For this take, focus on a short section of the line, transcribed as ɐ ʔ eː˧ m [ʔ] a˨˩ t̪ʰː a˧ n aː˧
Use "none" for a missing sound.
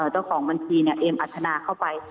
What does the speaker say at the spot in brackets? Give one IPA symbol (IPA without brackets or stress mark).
ʔ